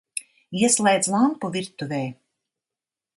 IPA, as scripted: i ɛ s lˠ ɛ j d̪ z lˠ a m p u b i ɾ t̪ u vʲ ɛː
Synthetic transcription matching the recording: i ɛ s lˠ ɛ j d̪ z lˠ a m p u v i ɾ t̪ u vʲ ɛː

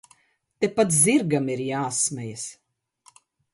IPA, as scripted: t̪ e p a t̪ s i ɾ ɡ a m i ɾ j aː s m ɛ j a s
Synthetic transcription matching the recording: t̪ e p a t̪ z i ɾ ɡ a m i ɾ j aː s m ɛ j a s

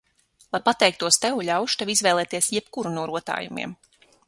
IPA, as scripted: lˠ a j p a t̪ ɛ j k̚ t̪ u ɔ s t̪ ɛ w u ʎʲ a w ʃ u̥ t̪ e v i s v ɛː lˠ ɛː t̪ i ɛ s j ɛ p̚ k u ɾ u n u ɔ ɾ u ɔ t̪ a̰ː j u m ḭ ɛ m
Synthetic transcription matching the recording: lˠ a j p a t̪ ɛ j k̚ t̪ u ɔ s t̪ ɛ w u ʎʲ a w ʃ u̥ t̪ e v i z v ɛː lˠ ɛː t̪ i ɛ s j ɛ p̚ k u ɾ u n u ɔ ɾ u ɔ t̪ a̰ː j u m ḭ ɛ m

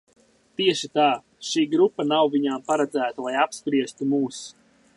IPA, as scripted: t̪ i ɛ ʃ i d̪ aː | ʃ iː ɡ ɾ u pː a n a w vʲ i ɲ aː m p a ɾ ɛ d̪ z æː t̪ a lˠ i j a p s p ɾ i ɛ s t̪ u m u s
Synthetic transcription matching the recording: t̪ i ɛ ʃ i t̪ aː | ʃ iː ɡ ɾ u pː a n a w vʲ i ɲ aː m p a ɾ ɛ d̪ z æː t̪ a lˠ a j a p s p ɾ i ɛ s t̪ u m uː s

